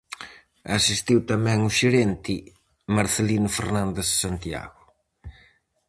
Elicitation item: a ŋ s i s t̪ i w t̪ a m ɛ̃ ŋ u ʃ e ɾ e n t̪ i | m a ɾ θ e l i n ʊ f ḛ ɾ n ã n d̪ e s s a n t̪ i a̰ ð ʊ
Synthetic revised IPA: a s i s t̪ i w t̪ a m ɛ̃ ŋ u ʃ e ɾ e n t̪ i | m a ɾ θ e l i n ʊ f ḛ ɾ n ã n d̪ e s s a n t̪ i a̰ ɣ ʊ